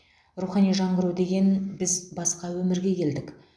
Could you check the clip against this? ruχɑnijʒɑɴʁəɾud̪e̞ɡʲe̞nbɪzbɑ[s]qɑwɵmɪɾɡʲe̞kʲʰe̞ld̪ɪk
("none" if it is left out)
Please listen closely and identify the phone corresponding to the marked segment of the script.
s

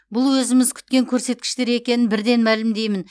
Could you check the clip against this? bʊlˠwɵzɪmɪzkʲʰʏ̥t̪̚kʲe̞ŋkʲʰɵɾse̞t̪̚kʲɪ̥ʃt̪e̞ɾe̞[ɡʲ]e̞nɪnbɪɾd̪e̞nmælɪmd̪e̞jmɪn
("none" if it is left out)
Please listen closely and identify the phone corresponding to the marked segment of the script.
kʲ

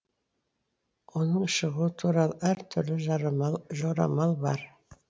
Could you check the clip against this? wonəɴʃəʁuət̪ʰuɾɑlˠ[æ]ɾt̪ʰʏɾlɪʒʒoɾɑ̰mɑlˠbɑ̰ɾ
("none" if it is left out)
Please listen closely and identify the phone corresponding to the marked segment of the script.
æ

